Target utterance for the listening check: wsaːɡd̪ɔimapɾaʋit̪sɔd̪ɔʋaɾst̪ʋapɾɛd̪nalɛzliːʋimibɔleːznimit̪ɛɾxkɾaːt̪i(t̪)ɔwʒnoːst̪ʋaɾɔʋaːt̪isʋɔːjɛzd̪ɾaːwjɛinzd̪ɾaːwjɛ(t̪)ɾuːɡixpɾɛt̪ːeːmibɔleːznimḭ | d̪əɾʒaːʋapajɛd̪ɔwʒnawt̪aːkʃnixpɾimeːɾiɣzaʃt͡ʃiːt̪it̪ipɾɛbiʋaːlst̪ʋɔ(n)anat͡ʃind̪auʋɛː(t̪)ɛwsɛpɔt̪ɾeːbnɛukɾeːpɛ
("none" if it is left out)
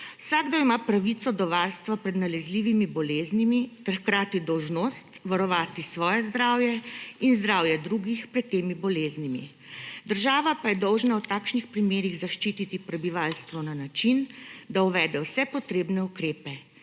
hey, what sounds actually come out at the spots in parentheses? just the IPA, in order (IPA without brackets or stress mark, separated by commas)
d̪, d̪, n, d̪